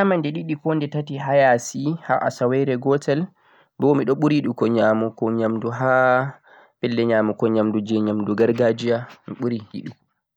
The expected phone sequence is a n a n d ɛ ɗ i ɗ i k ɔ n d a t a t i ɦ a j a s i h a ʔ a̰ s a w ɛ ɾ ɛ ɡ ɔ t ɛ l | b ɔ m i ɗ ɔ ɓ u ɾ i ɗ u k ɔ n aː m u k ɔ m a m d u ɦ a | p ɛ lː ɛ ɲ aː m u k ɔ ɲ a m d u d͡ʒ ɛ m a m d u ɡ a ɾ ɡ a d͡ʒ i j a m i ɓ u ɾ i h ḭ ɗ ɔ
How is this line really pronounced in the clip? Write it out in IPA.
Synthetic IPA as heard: a m a n d ɛ ɗ i ɗ i k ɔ n d ɛ t a t i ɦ a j a s i h a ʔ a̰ s a w ɛ ɾ ɛ ɡ ɔ t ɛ l | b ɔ m i ɗ ɔ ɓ u ɾ i ɗ u k ɔ ɲ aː m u k ɔ ɲ a m d u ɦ a | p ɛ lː ɛ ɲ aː m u k ɔ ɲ a m d u d͡ʒ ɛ ɲ a m d u ɡ a ɾ ɡ a d͡ʒ i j a m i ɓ u ɾ i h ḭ ɗ u